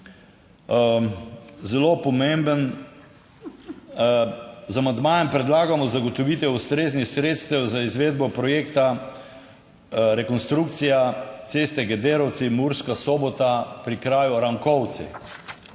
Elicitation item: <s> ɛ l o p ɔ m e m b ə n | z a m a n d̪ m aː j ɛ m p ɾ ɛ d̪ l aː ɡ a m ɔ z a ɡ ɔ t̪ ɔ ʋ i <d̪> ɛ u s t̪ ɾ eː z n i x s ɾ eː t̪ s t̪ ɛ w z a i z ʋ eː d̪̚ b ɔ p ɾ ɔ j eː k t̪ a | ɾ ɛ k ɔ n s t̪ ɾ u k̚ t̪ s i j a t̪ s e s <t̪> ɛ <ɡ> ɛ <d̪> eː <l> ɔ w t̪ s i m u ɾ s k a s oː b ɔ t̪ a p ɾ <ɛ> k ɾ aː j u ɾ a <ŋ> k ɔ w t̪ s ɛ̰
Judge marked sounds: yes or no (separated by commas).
no, no, yes, yes, yes, no, no, yes